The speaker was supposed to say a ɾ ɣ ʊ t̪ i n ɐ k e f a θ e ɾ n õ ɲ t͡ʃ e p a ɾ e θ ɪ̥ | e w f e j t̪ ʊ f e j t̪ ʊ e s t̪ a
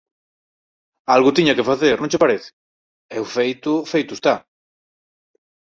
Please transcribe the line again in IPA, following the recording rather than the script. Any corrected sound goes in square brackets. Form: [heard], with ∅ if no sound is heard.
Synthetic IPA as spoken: a [l] ɣ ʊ t̪ i [ɲ] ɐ k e f a θ e ɾ n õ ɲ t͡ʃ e p a ɾ e θ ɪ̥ | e w f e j t̪ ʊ f e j t̪ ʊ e s t̪ a